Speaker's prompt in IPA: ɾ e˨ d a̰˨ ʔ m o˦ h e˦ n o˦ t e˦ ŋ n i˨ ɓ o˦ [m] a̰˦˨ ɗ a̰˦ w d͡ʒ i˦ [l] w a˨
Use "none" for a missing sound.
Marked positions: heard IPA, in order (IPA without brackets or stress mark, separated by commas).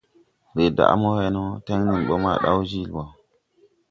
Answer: m, l